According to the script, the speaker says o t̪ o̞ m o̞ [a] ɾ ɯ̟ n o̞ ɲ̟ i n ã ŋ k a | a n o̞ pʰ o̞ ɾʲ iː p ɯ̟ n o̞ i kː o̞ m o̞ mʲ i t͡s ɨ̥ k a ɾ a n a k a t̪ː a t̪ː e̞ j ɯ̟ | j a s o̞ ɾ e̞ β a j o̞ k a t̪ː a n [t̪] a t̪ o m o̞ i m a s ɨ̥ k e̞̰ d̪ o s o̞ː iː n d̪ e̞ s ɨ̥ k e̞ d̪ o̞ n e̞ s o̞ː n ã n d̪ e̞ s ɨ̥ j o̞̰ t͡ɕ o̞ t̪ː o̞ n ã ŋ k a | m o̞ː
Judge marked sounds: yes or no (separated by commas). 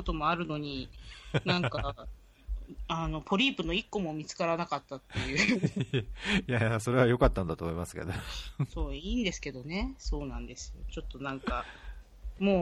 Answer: yes, no